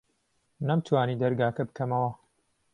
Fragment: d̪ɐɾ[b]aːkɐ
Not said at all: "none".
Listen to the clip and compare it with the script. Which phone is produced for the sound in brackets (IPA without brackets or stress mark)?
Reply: ɡ